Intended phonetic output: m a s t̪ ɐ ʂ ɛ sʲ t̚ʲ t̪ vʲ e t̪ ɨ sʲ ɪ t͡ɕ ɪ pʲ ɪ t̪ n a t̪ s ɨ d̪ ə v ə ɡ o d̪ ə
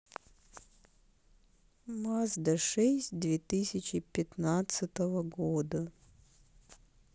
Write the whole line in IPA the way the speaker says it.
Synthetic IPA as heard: m a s d̪ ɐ ʂ ɛ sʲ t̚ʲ d̪ vʲ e t̪ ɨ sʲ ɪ t͡ɕ ɪ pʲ ɪ t̪ n a t̪ s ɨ t̪ ə v ə ɡ o d̪ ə